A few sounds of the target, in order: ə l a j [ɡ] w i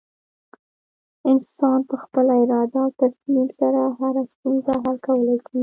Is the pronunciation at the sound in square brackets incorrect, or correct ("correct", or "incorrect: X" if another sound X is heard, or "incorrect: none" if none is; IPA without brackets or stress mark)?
incorrect: k